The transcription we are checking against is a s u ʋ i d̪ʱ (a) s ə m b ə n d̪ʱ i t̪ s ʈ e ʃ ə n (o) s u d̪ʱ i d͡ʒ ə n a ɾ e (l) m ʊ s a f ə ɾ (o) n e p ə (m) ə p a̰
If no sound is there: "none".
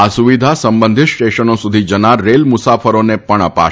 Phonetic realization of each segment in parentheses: a, o, l, o, ɳ

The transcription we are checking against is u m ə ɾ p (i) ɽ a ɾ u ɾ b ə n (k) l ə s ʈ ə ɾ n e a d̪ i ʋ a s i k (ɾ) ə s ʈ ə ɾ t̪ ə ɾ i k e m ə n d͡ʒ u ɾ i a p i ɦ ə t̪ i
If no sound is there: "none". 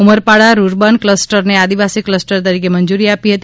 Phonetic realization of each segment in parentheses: a, k, l

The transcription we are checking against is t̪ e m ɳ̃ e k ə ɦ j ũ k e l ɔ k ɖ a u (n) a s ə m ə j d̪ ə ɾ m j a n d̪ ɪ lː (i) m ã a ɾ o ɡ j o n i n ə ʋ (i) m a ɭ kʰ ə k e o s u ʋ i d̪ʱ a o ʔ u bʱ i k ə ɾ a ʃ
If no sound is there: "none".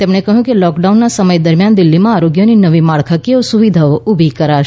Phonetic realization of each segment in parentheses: nː, i, i

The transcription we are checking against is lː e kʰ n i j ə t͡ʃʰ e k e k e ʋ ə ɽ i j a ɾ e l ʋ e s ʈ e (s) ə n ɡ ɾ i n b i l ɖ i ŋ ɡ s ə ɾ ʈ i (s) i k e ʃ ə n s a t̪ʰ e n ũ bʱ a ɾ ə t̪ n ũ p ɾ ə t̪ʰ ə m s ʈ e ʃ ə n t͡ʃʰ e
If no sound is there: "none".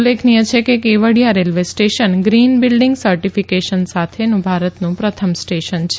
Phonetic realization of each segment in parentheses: ʃ, f

